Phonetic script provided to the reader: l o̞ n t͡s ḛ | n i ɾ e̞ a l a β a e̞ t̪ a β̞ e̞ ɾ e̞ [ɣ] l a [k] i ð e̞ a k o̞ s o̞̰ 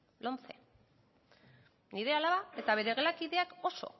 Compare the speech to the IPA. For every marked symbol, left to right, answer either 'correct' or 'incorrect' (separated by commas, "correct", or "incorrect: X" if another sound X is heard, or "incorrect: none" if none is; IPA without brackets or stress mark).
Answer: correct, correct